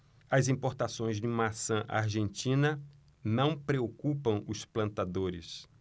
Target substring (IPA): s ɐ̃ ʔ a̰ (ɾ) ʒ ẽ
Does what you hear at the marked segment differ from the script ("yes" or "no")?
no